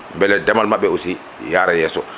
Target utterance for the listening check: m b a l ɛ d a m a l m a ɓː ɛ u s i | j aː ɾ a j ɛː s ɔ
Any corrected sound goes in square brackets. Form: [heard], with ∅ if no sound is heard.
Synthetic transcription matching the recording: m b [ɛ] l ɛ d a m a l m a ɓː ɛ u s i | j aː ɾ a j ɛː s ɔ